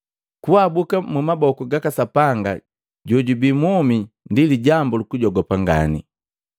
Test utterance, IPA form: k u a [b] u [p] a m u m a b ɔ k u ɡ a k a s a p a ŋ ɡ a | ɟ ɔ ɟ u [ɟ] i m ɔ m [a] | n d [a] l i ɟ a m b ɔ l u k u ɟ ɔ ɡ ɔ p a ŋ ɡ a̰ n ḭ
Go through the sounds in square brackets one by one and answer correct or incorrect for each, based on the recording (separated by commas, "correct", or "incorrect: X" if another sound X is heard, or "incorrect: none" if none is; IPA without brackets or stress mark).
correct, incorrect: k, incorrect: b, incorrect: i, incorrect: i